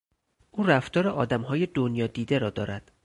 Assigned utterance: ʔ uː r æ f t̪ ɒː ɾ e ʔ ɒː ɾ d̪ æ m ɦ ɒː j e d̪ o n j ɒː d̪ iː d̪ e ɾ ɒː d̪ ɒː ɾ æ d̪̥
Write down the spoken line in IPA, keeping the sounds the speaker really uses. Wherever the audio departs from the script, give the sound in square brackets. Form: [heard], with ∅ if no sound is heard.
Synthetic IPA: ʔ uː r æ f t̪ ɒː ɾ e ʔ ɒː [∅] d̪ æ m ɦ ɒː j e d̪ o n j ɒː d̪ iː d̪ e ɾ ɒː d̪ ɒː ɾ æ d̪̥